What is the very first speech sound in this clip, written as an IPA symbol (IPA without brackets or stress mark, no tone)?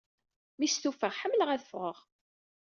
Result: m